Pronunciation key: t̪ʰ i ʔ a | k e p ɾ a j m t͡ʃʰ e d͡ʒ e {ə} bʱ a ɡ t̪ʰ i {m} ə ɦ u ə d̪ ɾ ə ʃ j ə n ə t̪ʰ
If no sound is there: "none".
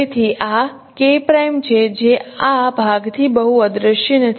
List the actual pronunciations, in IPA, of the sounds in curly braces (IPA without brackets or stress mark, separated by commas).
a, b